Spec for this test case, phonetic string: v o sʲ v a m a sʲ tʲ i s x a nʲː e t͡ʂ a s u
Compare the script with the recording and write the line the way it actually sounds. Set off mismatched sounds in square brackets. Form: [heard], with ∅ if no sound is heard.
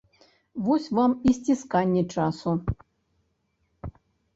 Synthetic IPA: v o sʲ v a m [i] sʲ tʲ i s [k] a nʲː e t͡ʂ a s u